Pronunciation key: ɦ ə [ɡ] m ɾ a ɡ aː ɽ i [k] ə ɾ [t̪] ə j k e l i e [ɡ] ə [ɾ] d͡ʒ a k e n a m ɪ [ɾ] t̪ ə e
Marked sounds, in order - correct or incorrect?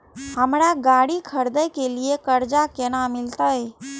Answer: incorrect, incorrect, incorrect, incorrect, correct, incorrect

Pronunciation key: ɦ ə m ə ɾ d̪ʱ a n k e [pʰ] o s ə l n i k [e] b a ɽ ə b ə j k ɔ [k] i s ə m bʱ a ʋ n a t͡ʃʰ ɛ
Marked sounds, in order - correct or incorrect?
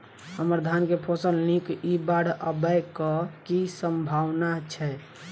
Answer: correct, incorrect, correct

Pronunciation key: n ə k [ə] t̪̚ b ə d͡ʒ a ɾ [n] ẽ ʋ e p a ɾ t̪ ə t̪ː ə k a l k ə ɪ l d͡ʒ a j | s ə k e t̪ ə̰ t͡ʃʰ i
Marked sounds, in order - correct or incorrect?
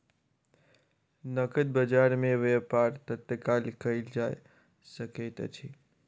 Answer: correct, incorrect

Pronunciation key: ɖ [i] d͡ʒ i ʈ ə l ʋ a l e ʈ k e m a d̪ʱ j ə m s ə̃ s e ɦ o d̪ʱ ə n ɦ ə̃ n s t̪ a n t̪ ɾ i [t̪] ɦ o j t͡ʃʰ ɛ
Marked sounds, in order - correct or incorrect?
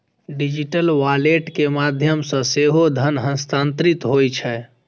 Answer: correct, correct

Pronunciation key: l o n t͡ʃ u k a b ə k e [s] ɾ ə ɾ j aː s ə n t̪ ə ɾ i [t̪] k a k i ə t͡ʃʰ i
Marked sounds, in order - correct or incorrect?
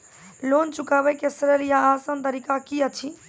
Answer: correct, incorrect

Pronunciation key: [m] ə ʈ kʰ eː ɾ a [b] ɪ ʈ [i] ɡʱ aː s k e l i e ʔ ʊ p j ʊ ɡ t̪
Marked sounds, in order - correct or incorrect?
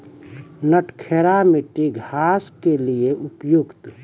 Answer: incorrect, incorrect, correct

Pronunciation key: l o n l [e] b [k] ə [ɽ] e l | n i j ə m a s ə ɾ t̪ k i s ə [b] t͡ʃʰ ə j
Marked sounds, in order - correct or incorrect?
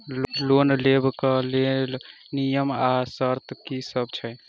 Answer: correct, correct, incorrect, correct

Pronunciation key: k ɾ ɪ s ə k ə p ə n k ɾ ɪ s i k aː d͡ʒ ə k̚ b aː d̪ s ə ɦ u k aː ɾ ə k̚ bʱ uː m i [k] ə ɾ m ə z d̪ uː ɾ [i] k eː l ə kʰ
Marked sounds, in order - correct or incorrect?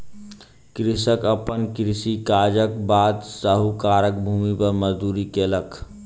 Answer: incorrect, correct

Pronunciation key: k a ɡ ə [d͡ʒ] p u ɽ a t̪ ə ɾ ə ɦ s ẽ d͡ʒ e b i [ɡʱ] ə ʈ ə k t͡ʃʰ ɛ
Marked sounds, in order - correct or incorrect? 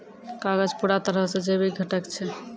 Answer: correct, correct

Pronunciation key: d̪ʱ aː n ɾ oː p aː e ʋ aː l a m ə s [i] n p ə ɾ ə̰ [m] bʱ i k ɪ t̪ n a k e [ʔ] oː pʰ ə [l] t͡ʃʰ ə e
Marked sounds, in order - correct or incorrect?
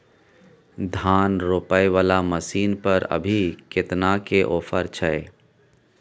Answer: incorrect, incorrect, correct, incorrect

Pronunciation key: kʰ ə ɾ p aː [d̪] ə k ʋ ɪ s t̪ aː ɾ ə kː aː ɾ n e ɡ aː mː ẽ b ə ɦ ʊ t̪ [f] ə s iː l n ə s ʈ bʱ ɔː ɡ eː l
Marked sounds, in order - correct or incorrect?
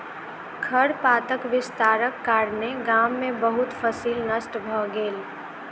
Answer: incorrect, correct

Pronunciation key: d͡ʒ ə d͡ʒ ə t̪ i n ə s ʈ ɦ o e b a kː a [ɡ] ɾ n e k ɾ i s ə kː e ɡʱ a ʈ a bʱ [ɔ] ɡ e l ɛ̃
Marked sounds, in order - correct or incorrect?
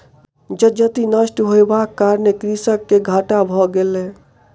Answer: incorrect, correct

